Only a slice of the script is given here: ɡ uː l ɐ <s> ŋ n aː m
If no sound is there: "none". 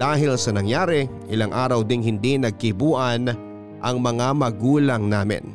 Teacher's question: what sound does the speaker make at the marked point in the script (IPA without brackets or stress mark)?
none